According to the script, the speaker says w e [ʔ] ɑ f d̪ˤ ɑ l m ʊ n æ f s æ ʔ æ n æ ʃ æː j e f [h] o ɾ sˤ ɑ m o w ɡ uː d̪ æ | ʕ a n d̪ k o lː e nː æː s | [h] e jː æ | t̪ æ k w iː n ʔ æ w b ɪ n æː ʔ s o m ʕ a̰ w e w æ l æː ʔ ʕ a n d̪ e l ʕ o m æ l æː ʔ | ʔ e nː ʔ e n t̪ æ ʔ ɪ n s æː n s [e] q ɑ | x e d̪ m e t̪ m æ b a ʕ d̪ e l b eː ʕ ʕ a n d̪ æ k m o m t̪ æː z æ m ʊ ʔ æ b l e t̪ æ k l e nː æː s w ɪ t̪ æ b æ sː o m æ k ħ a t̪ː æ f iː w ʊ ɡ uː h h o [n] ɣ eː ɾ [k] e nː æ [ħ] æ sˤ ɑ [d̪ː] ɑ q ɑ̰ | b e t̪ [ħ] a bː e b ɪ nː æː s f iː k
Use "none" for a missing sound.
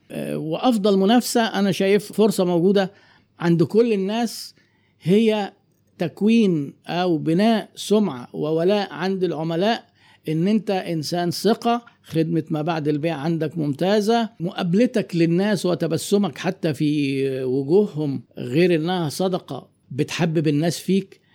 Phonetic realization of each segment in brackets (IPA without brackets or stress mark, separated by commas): ʔ, f, h, e, m, ʔ, h, d̪, ħ